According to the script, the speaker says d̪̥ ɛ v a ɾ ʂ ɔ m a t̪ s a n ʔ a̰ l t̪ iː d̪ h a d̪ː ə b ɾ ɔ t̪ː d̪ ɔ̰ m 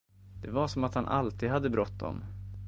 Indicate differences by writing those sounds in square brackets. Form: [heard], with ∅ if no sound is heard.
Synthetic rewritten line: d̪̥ ɛ v a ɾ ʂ ɔ m a t̪ [h] a n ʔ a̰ l t̪ iː d̪ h a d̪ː ə b ɾ ɔ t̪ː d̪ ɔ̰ m